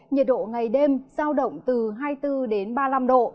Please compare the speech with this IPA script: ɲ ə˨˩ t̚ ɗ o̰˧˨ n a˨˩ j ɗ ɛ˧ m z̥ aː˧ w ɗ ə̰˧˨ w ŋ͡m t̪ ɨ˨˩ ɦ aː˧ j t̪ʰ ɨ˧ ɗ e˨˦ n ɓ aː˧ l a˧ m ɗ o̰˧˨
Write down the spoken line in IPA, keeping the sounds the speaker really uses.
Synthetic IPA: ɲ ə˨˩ t̚ ɗ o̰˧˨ ŋ a˨˩ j ɗ e˧ m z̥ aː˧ w ɗ ə̰˧˨ w ŋ͡m t̪ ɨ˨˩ ɦ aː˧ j t̪ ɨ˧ ɗ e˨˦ n ɓ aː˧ l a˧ m ɗ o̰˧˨

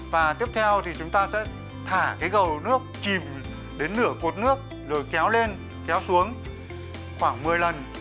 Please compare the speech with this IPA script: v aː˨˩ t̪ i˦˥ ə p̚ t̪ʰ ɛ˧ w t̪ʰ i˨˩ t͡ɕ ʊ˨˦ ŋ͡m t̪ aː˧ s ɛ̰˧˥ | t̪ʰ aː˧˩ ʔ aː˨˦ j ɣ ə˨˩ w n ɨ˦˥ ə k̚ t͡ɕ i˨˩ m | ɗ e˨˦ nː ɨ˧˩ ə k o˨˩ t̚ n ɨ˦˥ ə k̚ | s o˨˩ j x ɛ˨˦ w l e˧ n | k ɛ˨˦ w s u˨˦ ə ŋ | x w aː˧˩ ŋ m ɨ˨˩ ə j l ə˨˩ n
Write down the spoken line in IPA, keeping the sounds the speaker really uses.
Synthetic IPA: v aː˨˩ t̪ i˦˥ ə p̚ t̪ʰ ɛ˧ w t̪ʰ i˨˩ t͡ɕ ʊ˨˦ ŋ͡m t̪ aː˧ s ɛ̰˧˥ | t̪ʰ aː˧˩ k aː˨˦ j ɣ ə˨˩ w n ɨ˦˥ ə k̚ t͡ɕ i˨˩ m | ɗ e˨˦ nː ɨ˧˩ ə k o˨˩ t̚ n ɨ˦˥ ə k̚ | z o˨˩ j k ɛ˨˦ w l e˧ n | k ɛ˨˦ w s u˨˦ ə ŋ | x w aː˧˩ ŋ m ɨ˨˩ ə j l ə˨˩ n

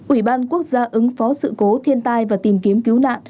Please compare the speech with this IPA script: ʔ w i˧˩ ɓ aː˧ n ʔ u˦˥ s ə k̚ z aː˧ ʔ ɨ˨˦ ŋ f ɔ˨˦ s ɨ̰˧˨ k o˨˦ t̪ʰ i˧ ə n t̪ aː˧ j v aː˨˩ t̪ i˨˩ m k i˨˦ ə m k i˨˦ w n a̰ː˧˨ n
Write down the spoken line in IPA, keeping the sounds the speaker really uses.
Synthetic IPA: ʔ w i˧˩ ɓ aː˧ n k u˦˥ ə k̚ z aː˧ ʔ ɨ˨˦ ŋ f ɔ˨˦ s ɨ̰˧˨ k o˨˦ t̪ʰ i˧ ə n t̪ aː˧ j v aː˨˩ t̪ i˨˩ m k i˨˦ ə m k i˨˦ w n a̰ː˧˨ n

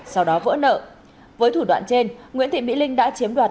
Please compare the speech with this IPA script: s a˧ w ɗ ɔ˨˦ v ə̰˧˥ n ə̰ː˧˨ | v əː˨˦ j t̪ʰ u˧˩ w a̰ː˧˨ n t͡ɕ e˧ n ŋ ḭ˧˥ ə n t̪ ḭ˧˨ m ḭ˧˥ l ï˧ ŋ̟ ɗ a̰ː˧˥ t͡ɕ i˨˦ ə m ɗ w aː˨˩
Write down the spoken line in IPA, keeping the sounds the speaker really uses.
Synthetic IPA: s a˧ w ɗ ɔ˨˦ v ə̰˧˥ n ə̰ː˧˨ | v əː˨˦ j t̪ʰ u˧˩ w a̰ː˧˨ n t͡ɕ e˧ n ŋ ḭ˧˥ ə n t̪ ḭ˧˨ m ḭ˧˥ l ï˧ ŋ̟ ɗ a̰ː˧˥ t͡ɕ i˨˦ ə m ɗ w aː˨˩

